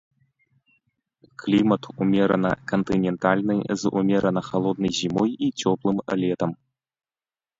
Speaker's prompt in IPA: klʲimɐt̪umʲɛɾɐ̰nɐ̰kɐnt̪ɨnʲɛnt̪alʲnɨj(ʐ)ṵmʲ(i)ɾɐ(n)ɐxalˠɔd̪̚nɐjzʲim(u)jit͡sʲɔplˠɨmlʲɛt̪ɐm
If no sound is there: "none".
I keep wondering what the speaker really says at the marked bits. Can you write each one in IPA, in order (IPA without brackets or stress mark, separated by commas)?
z, ɛ, n, ɔ